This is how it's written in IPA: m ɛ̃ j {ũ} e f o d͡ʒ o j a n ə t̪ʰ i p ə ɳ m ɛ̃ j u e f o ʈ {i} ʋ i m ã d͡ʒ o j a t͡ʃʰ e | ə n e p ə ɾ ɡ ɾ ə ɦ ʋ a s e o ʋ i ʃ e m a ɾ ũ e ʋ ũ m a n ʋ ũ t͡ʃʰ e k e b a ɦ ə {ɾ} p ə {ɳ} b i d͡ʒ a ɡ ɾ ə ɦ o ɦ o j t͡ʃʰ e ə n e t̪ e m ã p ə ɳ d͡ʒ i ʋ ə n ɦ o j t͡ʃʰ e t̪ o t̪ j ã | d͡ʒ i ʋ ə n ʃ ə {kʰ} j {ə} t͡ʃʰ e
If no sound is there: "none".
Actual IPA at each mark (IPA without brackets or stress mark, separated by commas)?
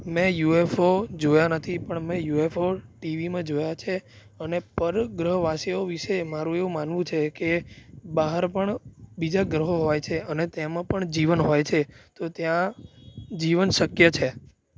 u, i, ɾ, ɳ, k, ə